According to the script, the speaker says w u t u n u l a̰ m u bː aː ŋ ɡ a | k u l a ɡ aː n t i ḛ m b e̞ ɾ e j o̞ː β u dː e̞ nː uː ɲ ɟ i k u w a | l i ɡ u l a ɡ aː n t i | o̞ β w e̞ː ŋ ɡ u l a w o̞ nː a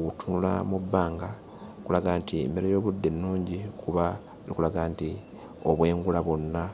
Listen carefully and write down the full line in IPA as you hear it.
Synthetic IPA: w u t u n u l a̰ m u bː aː ŋ ɡ a | k u l a ɡ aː n t i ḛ m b e̞ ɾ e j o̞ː β u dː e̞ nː uː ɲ ɟ i k u β a | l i k u l a ɡ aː n t i | o̞ β w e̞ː ŋ ɡ u l a β o̞ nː a